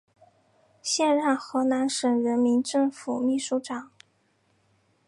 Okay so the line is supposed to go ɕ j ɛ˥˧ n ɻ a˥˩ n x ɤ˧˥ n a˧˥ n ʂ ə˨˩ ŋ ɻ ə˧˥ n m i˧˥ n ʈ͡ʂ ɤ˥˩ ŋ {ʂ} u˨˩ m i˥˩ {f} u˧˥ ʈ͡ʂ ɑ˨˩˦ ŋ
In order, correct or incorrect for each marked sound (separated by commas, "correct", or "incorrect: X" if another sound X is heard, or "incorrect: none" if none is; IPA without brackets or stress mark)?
incorrect: f, incorrect: ʂ